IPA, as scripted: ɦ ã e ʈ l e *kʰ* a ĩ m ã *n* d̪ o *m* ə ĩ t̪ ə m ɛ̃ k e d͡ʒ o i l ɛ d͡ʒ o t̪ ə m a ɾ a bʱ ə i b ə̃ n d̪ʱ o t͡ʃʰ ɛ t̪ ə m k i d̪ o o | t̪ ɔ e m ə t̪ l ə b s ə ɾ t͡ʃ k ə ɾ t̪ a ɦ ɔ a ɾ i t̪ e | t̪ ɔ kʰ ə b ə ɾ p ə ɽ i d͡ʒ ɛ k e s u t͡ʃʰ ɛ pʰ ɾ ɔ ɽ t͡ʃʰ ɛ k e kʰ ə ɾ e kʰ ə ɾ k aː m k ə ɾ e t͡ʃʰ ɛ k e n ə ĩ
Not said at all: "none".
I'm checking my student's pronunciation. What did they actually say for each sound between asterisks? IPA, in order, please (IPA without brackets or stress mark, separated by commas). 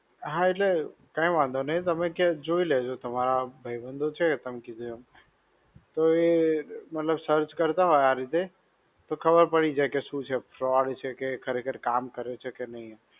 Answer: k, n, n